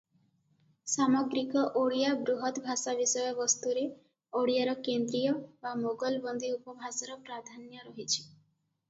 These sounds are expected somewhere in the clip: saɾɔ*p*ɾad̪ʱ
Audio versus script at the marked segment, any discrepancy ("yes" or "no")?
no